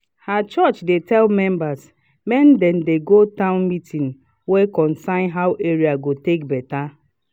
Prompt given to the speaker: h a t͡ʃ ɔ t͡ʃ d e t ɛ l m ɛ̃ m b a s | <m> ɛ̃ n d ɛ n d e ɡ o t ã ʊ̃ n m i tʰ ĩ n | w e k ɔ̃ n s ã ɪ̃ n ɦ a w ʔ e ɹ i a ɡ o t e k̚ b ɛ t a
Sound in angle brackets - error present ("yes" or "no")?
no